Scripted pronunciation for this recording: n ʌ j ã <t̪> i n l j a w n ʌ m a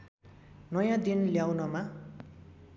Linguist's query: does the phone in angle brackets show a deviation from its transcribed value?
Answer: yes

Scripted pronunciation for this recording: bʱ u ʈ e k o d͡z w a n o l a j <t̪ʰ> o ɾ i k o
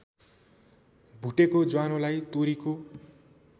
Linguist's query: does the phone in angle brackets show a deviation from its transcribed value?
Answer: yes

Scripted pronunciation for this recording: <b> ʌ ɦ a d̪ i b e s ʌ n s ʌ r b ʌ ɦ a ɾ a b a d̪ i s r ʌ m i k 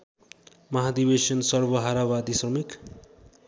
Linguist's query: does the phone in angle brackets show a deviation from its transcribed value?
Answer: yes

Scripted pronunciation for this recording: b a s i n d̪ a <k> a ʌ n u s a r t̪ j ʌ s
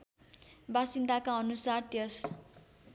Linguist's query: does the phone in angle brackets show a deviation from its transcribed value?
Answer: no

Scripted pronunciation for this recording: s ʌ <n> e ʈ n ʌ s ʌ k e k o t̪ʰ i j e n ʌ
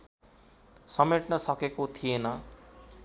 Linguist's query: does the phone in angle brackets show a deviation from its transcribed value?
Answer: yes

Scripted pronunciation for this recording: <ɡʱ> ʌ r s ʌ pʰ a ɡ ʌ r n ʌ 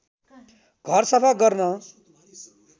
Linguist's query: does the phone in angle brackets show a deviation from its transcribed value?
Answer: no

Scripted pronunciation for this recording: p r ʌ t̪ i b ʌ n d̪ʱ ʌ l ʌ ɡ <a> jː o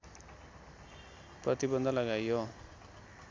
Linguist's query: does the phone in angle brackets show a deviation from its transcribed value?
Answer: no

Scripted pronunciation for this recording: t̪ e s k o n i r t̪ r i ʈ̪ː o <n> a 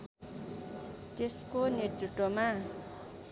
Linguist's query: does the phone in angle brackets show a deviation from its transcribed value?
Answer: yes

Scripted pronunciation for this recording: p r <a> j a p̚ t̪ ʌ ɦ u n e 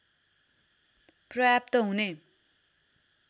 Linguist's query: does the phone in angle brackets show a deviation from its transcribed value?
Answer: yes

